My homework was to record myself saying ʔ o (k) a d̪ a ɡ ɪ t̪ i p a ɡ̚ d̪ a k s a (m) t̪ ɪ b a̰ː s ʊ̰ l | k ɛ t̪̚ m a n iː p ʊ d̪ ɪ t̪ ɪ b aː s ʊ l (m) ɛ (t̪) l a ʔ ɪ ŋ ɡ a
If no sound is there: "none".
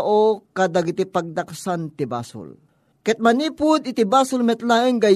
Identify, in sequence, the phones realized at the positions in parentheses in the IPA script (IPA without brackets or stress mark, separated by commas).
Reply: k, n, m, t̪